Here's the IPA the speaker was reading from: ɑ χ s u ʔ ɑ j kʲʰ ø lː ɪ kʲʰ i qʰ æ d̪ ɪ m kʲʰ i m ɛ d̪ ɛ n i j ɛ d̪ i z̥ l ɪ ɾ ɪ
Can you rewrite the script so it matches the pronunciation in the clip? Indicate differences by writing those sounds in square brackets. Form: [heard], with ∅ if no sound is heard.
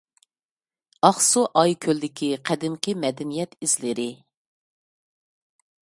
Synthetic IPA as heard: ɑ χ s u ʔ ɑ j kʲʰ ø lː ɪ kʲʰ i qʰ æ d̪ ɪ m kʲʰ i m ɛ d̪ ɛ n i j ɛ [t̪] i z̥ l ɪ ɾ ɪ